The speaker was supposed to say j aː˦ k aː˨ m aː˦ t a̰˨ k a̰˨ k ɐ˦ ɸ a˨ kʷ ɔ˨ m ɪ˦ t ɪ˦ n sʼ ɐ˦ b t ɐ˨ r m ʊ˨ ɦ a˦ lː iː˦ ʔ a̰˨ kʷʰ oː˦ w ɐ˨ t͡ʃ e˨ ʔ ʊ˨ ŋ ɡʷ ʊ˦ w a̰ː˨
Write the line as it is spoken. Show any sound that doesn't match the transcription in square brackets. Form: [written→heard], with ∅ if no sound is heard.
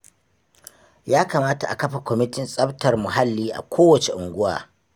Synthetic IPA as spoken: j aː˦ k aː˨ m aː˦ t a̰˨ [k→ʔ] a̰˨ k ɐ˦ ɸ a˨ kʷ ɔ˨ m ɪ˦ t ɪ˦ n sʼ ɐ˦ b t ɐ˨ r m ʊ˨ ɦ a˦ lː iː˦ ʔ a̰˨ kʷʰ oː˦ w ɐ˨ t͡ʃ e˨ ʔ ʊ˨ ŋ ɡʷ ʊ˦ w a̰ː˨